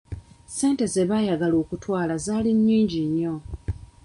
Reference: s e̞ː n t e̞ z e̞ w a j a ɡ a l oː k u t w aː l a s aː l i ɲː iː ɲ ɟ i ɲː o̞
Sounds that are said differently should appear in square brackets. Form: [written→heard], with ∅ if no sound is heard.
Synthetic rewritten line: s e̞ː n t e̞ z e̞ [w→β] a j a ɡ a l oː k u t w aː l a [s→z] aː l i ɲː iː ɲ ɟ i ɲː o̞